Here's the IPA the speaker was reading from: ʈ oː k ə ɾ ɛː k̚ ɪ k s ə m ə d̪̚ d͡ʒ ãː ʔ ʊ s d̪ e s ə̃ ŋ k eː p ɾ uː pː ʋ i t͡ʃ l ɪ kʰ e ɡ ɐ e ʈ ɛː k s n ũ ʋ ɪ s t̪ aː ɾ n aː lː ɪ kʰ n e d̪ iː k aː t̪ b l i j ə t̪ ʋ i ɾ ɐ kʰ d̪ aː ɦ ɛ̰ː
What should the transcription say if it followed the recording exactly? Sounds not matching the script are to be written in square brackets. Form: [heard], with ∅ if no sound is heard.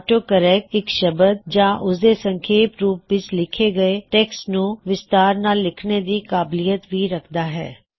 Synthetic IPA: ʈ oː k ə ɾ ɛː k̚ ɪ k [ʃ] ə [b] ə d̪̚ d͡ʒ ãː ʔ ʊ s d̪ e s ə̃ ŋ [kʰ] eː p ɾ uː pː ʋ [ɪ] t͡ʃ l ɪ kʰ e ɡ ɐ e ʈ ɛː k s n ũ ʋ ɪ s t̪ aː ɾ n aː lː ɪ kʰ n e d̪ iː k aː [∅] b l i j ə t̪ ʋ i ɾ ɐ kʰ d̪ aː ɦ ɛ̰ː